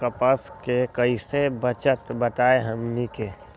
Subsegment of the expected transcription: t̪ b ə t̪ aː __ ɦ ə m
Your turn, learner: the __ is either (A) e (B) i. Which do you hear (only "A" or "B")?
A